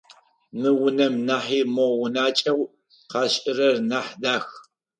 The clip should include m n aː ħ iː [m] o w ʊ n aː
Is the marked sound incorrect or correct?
correct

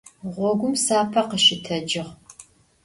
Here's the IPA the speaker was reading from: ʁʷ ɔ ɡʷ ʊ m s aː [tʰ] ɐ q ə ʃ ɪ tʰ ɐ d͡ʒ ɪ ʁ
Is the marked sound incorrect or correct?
incorrect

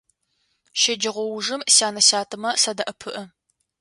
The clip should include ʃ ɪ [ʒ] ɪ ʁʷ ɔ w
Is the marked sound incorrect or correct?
incorrect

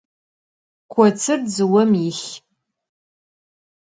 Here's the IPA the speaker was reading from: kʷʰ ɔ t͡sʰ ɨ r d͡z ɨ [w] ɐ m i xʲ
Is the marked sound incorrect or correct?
correct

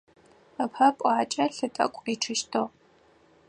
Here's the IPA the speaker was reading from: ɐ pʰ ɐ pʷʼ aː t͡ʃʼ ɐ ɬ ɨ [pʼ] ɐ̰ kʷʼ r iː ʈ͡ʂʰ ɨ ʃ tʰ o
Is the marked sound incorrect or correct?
incorrect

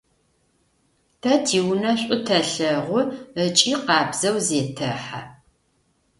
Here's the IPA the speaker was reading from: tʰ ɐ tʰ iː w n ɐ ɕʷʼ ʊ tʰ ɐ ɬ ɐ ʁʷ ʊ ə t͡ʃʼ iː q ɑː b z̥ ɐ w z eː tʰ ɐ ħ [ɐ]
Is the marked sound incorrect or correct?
incorrect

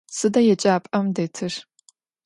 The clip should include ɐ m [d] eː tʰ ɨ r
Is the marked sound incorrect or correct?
correct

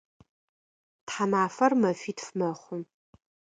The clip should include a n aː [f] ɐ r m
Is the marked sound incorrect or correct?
correct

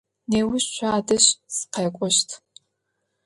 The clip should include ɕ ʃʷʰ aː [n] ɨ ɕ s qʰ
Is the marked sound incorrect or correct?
incorrect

